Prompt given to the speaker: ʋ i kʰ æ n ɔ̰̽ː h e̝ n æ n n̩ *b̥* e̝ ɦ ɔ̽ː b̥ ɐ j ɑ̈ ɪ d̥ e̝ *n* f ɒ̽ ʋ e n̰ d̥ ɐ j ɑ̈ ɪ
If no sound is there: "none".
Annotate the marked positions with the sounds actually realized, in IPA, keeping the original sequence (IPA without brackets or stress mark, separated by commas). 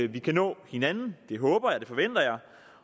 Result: d̥, none